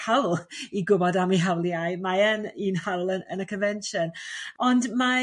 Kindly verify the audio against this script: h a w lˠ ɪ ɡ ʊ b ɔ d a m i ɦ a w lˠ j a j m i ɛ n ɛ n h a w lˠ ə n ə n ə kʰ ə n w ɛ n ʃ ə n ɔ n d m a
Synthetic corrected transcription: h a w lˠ i ɡ ʊ b ɔ d a m i ɦ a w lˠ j a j m a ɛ n i n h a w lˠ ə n ə n ə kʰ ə n v ɛ n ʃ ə n ɔ n d m a

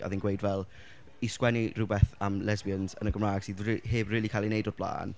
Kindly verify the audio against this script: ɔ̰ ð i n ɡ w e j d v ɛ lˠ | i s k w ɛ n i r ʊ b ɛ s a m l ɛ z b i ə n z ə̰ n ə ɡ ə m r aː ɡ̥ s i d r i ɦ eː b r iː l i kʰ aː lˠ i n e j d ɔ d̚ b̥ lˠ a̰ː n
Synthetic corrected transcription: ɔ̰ ð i n ɡ w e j d v ɛ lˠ | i s k w ɛ n i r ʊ b ɛ θ a m l ɛ z b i ə n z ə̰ n ə ɡ ə m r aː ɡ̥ s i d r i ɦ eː b r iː l i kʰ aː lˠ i n e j d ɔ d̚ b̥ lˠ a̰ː n

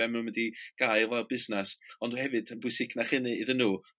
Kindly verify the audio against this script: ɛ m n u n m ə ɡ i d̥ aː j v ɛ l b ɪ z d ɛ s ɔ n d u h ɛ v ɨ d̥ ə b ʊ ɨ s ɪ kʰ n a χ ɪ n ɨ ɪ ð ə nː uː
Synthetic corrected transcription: ɛ m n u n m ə d i ɡ̥ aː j v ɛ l b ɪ z n ɛ s ɔ n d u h ɛ v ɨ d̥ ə b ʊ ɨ s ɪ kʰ n a χ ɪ n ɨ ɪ ð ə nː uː

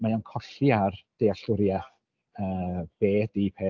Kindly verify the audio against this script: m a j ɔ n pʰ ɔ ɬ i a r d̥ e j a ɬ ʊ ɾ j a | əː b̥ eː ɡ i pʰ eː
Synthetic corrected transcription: m a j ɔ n kʰ ɔ ɬ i a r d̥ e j a ɬ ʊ ɾ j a | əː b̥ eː d i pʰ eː

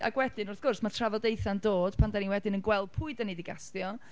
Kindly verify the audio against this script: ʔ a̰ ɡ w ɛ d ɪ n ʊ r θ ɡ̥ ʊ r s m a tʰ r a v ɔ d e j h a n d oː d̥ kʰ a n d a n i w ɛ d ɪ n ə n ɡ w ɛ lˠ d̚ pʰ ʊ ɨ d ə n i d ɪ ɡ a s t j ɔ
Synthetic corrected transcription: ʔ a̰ ɡ w ɛ d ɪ n ʊ r θ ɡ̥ ʊ r s m a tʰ r a v ɔ d e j θ a n d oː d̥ pʰ a n d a n i w ɛ d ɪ n ə n ɡ w ɛ lˠ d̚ pʰ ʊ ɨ d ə n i d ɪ ɡ a s t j ɔ

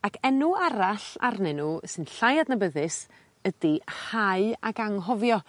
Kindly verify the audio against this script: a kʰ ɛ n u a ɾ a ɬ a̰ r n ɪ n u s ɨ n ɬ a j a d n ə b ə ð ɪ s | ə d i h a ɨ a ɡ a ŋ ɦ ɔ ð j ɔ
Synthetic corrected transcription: a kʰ ɛ n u a ɾ a ɬ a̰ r n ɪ n u s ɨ n ɬ a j a d n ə b ə ð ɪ s | ə d i h a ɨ a ɡ a ŋ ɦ ɔ v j ɔ

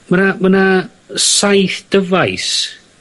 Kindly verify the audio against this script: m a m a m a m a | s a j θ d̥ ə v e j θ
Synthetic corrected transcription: m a n a m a n a | s a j θ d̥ ə v a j s

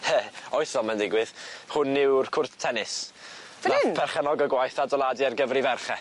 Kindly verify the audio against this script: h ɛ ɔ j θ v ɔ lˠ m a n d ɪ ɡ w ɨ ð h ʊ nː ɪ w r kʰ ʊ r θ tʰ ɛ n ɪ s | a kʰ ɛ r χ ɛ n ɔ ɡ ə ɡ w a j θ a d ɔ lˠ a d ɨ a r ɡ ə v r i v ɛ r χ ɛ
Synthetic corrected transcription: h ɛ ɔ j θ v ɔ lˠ m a n d ɪ ɡ w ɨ ð h ʊ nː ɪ w r kʰ ʊ r θ tʰ ɛ n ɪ s | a pʰ ɛ r χ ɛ n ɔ ɡ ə ɡ w a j θ a d ɔ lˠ a d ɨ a r ɡ ə v r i v ɛ r χ ɛ

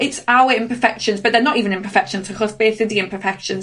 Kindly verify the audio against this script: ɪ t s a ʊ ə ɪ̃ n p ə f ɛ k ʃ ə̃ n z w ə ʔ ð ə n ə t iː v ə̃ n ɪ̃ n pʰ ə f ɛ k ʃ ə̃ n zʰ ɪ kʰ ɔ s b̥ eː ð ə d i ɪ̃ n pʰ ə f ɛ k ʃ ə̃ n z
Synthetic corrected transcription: ɪ t s a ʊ ə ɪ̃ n p ə f ɛ k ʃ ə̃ n z b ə ʔ ð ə n ə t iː v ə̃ n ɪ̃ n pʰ ə f ɛ k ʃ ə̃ n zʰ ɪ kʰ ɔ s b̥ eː θ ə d i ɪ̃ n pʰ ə f ɛ k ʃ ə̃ n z

